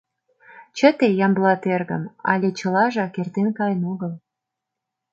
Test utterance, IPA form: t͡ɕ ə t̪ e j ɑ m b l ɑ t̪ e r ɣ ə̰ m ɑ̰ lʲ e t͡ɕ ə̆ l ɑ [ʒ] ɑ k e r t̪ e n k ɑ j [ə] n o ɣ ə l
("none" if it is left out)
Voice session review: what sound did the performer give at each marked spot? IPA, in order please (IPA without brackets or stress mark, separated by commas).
ʒ, ə